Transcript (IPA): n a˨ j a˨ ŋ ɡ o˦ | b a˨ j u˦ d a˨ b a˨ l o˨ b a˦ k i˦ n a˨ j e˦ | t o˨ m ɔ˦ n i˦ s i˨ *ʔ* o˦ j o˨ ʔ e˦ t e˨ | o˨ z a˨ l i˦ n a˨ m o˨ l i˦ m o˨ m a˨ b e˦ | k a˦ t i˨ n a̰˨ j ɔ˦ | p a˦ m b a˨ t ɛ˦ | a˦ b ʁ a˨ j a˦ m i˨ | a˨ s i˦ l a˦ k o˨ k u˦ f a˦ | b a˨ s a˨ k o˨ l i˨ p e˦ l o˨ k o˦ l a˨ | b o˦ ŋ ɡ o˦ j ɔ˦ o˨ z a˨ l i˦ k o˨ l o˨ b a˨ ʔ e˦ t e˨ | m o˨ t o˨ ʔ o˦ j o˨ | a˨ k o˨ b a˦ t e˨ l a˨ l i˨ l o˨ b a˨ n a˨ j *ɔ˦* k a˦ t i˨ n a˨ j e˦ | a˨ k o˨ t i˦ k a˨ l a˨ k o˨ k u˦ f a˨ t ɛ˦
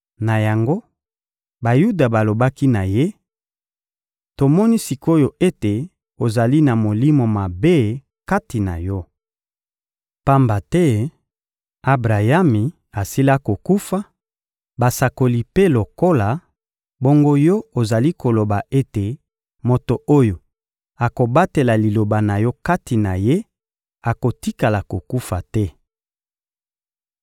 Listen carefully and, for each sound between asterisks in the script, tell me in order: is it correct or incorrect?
incorrect: k, correct

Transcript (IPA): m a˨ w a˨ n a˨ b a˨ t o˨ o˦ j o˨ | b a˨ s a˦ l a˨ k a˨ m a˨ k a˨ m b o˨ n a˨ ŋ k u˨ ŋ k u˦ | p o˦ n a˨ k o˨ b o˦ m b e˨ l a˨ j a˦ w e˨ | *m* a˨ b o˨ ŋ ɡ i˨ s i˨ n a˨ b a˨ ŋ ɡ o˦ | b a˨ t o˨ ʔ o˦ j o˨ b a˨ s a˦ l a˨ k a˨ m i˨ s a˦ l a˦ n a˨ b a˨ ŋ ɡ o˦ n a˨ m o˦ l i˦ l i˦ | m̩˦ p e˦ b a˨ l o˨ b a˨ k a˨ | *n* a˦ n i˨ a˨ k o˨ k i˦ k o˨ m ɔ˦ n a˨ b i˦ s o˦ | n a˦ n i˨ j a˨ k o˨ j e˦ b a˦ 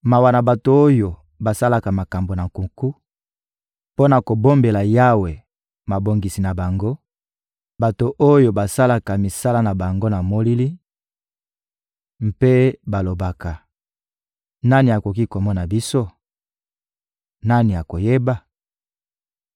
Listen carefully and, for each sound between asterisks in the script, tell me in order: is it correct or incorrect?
correct, correct

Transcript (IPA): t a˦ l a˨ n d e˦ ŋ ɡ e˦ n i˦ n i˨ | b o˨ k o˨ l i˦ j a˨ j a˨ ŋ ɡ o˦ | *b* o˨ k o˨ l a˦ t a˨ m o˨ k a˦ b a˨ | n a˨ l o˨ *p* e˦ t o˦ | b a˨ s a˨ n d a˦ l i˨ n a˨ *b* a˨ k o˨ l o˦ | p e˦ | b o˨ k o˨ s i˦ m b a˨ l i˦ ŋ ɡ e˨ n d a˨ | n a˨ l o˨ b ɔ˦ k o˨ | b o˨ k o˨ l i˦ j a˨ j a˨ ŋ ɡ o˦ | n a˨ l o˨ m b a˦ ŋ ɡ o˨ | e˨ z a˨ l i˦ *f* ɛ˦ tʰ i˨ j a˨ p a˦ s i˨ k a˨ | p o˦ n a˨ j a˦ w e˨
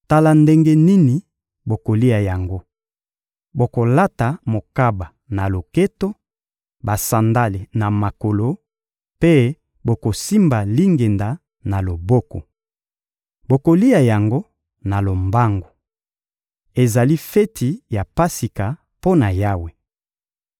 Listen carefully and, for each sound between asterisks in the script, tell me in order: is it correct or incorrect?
correct, incorrect: k, incorrect: m, correct

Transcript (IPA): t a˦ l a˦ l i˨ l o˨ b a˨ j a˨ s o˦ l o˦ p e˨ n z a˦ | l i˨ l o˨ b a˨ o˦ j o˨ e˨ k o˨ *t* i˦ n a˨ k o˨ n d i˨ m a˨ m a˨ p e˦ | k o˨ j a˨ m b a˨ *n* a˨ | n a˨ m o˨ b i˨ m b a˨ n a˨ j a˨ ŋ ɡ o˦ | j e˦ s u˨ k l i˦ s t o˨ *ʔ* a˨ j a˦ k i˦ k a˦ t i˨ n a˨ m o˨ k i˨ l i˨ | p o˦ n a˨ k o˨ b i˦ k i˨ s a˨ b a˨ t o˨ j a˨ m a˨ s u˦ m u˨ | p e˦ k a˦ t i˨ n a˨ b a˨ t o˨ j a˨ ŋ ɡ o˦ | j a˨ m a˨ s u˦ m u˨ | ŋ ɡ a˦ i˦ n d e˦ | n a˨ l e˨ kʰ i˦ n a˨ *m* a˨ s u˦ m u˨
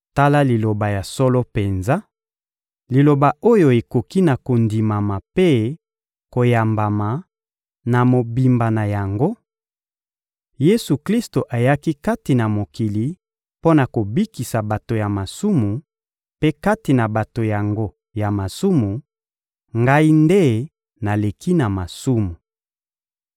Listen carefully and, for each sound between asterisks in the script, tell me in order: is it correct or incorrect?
incorrect: k, incorrect: m, correct, correct

